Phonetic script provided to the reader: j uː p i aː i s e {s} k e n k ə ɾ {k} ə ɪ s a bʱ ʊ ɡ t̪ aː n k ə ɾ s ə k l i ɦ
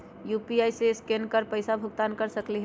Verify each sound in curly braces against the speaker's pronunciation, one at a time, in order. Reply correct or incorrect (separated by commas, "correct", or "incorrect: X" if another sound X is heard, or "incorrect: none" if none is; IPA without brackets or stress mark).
correct, incorrect: p